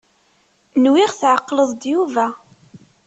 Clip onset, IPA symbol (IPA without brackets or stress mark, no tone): n